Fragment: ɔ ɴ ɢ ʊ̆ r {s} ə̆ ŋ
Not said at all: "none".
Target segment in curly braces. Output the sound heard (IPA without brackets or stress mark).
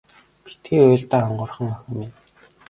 χ